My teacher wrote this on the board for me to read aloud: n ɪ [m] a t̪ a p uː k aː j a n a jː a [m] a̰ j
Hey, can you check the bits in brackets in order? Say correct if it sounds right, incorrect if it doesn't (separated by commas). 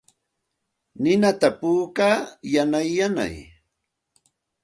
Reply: incorrect, incorrect